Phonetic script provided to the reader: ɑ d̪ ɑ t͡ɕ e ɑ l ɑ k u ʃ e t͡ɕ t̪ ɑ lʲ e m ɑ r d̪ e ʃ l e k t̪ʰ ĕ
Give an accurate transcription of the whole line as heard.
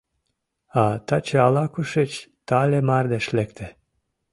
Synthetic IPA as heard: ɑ t̪ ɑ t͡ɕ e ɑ l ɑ k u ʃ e t͡ɕ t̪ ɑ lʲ e m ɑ r d̪ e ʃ l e k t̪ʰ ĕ